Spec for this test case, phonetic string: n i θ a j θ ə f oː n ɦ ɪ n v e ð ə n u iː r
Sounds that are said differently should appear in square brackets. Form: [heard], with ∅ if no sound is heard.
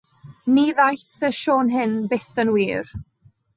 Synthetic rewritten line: n i [ð] a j θ ə [ʃ] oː n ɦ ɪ n [b] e [θ] ə n [w] iː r